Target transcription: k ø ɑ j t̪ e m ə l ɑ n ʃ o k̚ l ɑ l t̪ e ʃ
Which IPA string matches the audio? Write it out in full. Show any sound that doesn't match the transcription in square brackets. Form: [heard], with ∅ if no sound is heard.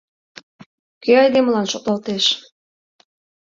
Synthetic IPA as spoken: k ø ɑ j [d̪] e m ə l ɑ n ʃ o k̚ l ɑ l t̪ e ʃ